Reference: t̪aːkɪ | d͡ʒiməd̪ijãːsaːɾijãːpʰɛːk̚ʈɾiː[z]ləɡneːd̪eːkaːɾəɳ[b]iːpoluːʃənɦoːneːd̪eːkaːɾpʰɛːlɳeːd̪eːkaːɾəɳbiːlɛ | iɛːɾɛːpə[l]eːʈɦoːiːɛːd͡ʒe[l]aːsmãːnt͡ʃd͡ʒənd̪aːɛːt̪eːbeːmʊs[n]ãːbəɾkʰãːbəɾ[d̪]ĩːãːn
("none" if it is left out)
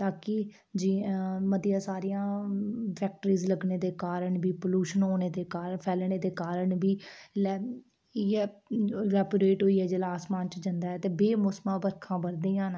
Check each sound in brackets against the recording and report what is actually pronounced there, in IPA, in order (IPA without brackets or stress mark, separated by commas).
z, b, ɾ, l, m, d̪